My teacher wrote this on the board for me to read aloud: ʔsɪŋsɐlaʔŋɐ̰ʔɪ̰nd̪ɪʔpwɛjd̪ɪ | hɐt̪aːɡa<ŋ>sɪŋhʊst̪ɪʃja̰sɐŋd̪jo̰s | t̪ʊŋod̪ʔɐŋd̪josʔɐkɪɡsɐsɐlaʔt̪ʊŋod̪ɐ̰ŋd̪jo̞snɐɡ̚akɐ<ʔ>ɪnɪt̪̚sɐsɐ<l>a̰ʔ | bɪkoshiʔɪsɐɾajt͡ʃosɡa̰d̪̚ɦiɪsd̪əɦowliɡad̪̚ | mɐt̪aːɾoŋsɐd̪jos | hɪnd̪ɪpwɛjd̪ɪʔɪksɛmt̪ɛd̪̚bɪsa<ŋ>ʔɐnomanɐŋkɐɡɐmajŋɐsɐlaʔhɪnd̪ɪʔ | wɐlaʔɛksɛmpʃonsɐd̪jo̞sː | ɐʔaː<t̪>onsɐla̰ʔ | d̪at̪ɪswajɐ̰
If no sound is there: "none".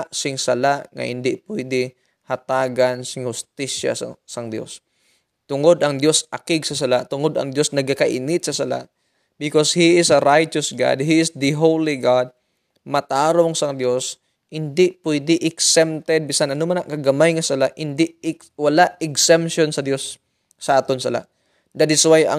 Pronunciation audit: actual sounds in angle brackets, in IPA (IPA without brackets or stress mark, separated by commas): n, ʔ, l, n, t̪